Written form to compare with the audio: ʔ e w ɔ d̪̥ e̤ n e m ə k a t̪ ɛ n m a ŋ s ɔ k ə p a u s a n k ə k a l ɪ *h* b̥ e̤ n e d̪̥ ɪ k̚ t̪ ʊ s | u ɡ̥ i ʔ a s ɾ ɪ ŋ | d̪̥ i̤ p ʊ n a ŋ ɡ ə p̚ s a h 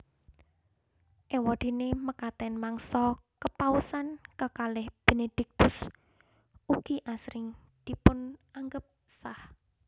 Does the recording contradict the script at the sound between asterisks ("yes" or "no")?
no